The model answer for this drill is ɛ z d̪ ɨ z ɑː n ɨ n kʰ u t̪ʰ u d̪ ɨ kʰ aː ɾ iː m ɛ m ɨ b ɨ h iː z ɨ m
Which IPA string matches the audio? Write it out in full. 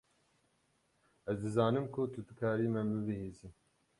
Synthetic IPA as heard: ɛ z d̪ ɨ z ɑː n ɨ m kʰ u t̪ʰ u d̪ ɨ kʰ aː ɾ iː m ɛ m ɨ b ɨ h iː z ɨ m